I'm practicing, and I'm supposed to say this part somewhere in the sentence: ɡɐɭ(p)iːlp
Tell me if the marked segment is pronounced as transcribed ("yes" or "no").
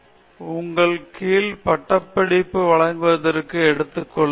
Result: no